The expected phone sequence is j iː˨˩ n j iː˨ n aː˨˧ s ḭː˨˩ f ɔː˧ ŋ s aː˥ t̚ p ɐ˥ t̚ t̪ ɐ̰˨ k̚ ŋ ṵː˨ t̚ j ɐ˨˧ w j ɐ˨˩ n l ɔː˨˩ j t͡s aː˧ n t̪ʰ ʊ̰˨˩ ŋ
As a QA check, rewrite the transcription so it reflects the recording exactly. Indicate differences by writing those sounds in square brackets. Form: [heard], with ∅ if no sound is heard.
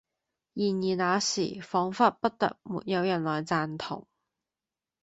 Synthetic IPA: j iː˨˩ n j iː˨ n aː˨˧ s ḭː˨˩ f [ɔː˨˥] ŋ [f] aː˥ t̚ p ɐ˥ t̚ t̪ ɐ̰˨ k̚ [m] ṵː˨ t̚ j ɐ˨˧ w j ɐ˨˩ n l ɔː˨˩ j t͡s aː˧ n t̪ʰ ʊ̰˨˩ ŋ